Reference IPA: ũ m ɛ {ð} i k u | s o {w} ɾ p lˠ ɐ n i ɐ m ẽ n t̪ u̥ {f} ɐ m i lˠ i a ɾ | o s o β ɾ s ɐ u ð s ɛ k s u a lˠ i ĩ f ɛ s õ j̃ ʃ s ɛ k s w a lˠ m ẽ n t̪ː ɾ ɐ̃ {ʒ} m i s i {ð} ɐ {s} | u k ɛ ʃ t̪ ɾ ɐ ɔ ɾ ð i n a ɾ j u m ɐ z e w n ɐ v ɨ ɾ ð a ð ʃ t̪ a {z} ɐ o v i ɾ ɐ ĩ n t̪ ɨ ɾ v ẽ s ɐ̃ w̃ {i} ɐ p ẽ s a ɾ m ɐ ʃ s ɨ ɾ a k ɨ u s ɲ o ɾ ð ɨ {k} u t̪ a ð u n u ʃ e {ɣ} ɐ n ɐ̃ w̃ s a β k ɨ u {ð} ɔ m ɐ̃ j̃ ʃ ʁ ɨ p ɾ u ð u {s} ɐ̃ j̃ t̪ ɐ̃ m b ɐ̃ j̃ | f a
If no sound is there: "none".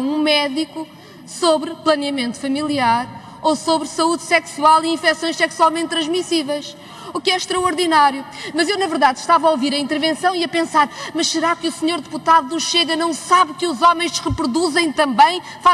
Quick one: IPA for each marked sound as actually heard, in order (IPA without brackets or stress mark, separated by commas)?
ð, β, f, ʒ, v, ʃ, v, i, p, ɣ, z, z